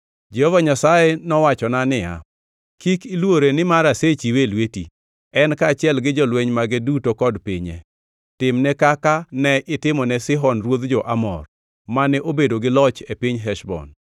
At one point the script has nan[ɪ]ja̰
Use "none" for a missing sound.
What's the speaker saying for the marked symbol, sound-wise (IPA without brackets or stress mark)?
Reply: ɪ